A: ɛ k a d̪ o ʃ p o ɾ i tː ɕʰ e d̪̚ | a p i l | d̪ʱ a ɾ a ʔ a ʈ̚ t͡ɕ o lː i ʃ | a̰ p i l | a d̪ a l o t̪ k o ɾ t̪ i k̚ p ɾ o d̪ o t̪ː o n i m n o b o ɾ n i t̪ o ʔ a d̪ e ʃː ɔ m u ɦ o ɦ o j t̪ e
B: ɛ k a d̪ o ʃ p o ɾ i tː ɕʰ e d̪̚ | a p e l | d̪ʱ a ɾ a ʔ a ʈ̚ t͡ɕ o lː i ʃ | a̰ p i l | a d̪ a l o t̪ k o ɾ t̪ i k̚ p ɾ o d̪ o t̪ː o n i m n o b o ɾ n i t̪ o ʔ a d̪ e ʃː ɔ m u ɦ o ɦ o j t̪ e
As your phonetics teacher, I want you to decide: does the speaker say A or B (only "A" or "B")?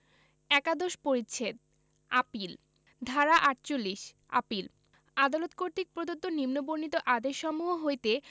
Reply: A